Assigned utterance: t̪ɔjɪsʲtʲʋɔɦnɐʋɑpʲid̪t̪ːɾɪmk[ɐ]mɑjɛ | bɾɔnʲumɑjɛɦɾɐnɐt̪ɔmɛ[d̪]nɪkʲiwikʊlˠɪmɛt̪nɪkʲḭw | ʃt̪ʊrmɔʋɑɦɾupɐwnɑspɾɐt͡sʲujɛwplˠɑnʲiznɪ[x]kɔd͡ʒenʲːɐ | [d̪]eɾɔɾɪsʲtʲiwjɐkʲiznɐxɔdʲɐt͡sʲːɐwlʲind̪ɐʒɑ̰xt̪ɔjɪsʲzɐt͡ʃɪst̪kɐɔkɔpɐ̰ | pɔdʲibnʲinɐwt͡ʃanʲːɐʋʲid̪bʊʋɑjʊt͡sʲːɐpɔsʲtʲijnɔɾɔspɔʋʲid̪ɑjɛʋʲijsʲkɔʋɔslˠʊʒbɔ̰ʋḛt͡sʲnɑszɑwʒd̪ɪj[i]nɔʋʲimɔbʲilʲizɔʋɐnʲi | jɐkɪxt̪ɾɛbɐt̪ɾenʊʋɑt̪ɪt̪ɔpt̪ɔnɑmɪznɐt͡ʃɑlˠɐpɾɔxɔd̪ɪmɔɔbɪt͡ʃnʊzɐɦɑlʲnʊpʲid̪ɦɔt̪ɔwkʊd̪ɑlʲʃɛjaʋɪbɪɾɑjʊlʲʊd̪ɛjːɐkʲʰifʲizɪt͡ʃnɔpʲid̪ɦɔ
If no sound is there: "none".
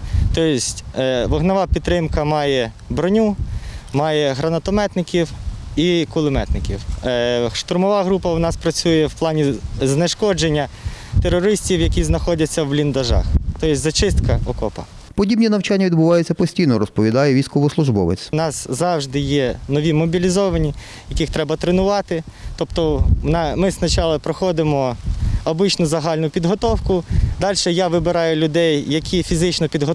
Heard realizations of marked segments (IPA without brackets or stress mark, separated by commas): ɐ, t̪, ʃ, t̪, ɛ